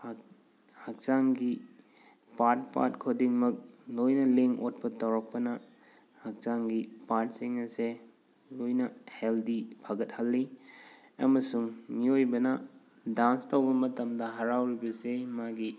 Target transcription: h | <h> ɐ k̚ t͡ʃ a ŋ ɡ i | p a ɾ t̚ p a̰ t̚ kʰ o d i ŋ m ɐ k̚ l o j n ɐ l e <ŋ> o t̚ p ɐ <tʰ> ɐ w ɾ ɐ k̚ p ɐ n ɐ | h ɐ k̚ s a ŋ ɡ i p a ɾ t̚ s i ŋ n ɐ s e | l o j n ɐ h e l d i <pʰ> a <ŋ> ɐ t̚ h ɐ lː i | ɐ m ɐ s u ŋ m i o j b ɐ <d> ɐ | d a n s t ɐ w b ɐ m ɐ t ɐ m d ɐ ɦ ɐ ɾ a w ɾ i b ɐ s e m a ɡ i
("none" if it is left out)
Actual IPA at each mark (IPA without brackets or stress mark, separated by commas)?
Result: h, ŋ, t, pʰ, ɡ, n